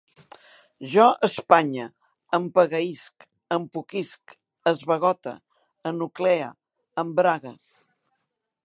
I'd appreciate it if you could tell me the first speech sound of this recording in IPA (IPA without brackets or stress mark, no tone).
ʒ